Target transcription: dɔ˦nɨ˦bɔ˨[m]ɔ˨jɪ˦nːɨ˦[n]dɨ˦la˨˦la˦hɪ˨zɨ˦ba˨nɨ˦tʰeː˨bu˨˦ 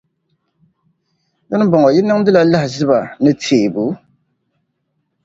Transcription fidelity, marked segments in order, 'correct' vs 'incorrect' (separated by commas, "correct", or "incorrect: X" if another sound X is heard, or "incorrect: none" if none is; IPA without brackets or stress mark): incorrect: ŋ, incorrect: ŋ